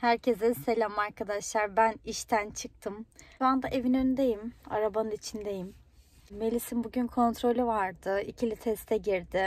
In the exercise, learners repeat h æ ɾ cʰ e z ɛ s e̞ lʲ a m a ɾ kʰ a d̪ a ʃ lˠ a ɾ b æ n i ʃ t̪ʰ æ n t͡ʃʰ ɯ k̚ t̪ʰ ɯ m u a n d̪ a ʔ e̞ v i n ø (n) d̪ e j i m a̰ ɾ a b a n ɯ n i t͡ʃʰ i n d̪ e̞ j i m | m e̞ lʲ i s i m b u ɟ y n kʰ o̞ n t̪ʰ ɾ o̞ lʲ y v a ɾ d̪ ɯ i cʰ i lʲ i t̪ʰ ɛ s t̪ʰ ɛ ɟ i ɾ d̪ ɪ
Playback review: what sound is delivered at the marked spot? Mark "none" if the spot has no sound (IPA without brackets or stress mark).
n